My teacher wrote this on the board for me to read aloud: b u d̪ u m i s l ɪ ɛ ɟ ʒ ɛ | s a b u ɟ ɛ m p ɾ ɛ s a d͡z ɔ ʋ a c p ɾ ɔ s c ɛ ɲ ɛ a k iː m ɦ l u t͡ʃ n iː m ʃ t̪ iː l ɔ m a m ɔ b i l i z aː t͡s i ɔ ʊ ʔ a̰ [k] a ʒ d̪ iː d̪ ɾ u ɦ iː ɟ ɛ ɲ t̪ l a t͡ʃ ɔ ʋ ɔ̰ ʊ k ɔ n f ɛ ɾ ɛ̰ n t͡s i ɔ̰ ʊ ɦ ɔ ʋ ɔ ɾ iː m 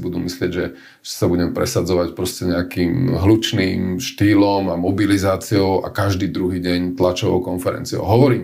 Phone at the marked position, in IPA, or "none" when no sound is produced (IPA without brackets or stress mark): k